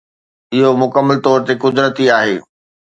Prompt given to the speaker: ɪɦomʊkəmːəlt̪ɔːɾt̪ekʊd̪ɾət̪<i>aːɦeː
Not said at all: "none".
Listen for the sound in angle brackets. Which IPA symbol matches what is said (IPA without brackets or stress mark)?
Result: i